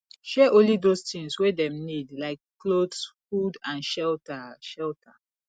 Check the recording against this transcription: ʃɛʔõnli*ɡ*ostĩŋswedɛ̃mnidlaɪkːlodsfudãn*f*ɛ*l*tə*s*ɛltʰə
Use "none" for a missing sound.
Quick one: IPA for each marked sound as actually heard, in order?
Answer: d, ʃ, l, ʃ

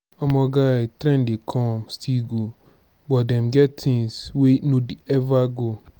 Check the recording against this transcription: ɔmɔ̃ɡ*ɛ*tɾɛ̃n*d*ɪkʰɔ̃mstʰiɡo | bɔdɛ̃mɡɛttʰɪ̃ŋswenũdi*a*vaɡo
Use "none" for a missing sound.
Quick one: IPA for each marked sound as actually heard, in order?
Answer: a, d, ɛ

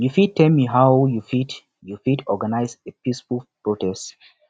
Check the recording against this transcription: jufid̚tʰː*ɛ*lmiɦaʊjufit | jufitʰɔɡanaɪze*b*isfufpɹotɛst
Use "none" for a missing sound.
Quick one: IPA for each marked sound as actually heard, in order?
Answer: ɛ, p

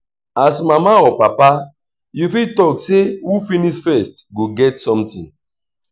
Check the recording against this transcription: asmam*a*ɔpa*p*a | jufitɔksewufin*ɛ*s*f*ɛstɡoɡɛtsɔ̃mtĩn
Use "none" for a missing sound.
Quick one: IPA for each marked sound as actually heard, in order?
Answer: a, p, i, f

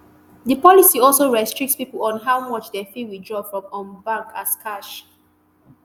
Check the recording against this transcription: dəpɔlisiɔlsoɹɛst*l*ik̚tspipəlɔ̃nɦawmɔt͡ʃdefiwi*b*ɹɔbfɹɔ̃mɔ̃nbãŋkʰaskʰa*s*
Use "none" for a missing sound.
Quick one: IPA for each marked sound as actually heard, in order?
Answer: ɹ, d, ʃ

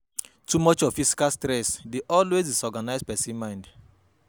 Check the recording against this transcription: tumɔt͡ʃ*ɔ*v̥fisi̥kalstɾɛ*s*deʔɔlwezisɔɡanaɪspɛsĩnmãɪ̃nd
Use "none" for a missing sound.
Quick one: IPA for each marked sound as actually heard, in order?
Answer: ɔ, s

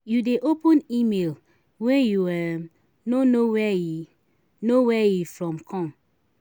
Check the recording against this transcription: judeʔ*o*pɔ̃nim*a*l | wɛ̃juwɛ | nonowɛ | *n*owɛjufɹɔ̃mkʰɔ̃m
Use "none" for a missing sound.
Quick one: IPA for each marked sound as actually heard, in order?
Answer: o, e, n

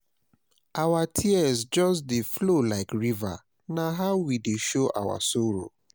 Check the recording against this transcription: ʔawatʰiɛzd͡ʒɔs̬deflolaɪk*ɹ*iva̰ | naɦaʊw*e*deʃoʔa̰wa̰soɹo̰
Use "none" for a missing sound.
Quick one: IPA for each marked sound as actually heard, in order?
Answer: ɹ, i

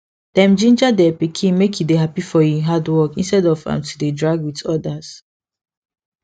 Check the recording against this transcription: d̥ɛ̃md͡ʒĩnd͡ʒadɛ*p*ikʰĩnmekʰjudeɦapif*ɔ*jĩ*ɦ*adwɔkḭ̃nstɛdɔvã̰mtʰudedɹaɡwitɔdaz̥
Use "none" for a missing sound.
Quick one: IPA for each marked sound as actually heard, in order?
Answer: p, ɔ, ɦ

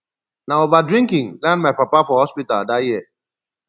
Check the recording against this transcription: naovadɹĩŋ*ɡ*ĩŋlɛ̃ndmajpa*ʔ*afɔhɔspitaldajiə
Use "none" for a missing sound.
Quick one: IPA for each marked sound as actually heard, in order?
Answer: k, p

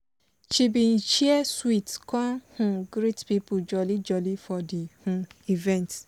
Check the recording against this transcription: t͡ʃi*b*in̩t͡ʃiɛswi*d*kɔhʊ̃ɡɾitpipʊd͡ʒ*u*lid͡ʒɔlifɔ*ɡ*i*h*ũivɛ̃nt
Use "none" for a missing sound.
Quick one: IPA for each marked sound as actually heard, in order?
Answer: b, t, ɔ, d, h

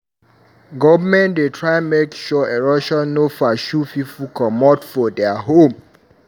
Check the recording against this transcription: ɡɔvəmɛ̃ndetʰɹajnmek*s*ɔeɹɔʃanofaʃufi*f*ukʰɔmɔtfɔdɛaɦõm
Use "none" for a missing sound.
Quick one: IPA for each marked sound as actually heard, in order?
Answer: ʃ, f

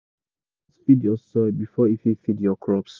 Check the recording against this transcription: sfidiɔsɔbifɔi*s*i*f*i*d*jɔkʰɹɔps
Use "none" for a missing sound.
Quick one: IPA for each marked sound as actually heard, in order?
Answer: f, f, d

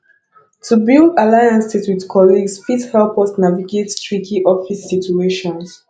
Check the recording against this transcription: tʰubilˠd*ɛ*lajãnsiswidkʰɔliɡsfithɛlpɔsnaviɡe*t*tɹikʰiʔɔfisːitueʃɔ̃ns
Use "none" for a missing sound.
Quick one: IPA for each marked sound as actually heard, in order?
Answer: a, t

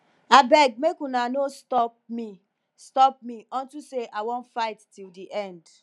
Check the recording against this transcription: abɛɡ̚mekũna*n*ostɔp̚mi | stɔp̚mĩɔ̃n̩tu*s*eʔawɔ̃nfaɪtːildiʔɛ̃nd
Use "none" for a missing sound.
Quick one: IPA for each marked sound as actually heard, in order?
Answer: n, s

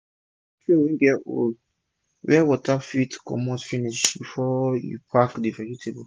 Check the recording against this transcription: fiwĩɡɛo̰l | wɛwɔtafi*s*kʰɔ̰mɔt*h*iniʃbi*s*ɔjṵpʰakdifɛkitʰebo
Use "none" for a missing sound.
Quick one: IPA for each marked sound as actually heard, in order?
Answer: t, f, f

